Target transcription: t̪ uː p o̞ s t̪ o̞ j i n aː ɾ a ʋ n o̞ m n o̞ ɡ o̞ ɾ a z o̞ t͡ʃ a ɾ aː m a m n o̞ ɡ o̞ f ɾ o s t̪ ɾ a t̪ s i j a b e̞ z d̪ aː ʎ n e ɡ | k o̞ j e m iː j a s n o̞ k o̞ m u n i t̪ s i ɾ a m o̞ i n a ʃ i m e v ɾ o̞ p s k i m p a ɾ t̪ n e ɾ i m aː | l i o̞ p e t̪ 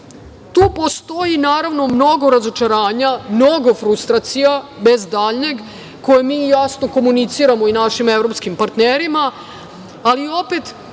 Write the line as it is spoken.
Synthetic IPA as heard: t̪ uː p o̞ s t̪ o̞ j i n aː ɾ a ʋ n o̞ m n o̞ ɡ o̞ ɾ a z o̞ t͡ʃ a ɾ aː ɲ a m n o̞ ɡ o̞ f ɾ u s t̪ ɾ a t̪ s i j a b e̞ z d̪ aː ʎ ɲ e ɡ | k o̞ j e m iː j a s n o̞ k o̞ m u n i t̪ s i ɾ a m o̞ i n a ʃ i m e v ɾ o̞ p s k i m p a ɾ t̪ n e ɾ i m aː | l i o̞ p e t̪